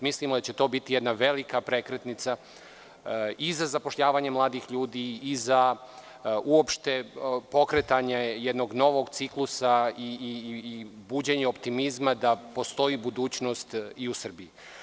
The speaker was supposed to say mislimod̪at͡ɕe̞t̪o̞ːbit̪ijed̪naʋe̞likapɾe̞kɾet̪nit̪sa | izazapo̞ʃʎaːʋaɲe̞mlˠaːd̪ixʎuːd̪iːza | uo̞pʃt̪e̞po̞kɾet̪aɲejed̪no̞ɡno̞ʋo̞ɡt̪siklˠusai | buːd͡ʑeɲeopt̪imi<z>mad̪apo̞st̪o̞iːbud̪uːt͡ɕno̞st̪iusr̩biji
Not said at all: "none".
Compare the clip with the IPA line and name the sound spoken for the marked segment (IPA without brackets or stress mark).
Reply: z